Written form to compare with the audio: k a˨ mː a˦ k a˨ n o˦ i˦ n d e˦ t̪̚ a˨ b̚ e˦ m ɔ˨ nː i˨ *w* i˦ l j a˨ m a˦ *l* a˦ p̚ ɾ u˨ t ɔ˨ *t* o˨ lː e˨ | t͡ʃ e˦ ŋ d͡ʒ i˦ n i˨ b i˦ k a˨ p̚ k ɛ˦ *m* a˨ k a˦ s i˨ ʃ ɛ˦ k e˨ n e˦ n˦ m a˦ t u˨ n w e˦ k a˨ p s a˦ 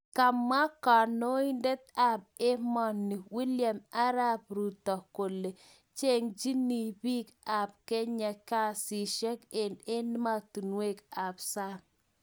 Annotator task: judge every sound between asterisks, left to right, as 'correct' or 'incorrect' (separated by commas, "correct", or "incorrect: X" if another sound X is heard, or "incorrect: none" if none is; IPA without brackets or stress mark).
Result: correct, incorrect: ɾ, incorrect: k, incorrect: ɲ